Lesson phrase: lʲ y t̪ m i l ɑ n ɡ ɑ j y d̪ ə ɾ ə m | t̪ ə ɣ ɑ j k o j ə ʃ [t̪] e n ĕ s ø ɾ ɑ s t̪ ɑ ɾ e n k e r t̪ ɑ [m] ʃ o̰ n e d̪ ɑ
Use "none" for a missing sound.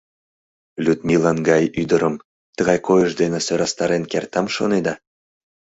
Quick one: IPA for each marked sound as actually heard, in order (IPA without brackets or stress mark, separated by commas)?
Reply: d̪, m